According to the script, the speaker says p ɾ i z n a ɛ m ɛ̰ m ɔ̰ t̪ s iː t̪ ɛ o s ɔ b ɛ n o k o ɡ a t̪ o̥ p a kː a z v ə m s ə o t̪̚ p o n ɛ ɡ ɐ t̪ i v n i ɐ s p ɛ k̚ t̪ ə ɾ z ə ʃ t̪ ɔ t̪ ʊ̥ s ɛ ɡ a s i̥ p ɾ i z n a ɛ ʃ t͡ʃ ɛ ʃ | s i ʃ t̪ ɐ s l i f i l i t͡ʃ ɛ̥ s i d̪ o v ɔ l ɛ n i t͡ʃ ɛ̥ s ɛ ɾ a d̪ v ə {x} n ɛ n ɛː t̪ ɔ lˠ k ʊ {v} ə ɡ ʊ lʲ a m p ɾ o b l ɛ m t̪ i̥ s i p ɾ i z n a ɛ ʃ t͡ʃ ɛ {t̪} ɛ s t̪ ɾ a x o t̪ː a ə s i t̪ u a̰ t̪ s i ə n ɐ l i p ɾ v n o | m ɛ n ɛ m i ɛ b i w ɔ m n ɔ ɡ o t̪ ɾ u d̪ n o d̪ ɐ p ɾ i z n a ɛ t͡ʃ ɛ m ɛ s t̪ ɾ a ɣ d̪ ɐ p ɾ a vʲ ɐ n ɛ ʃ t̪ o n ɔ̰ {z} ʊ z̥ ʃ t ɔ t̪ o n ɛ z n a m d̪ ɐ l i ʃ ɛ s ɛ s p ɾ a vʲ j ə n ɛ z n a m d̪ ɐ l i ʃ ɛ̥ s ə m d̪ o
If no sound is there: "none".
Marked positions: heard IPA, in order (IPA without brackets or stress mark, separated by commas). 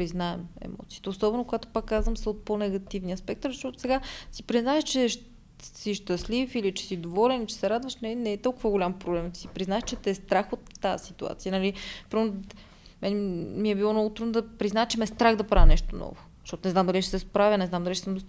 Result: ʃ, v, t̪, v